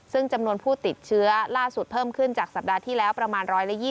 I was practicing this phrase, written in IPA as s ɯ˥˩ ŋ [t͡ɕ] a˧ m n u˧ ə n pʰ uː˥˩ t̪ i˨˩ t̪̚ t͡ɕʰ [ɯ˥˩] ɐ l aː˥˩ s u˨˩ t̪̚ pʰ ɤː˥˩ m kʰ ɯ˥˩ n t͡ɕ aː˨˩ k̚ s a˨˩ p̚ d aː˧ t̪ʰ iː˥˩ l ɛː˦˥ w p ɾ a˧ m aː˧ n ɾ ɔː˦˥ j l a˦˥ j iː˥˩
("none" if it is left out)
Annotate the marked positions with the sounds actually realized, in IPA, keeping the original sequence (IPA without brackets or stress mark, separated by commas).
t͡ɕ, ɯ˦˥